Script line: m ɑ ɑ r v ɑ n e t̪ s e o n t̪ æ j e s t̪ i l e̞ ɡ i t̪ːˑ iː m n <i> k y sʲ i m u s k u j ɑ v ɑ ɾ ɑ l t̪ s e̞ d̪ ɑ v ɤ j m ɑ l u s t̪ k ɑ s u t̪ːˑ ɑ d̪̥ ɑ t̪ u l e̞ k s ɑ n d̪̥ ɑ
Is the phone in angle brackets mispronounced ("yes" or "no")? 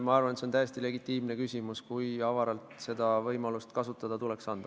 yes